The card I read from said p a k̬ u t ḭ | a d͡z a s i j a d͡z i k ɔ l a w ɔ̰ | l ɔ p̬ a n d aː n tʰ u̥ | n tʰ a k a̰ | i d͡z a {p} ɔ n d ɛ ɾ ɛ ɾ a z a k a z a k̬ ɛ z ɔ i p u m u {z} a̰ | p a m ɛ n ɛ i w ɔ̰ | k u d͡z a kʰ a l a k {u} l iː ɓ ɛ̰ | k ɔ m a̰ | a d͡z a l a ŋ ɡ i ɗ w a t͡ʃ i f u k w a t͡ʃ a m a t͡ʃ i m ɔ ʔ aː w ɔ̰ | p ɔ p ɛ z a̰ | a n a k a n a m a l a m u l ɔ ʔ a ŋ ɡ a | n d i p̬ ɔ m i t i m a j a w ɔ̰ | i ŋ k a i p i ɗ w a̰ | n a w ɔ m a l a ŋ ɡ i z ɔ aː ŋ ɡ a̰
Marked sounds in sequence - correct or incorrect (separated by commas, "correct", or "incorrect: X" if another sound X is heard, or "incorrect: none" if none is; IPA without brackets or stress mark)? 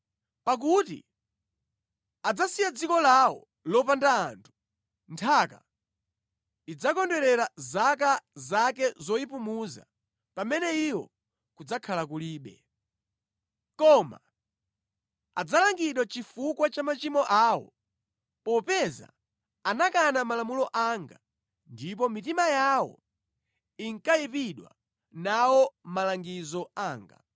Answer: incorrect: k, correct, correct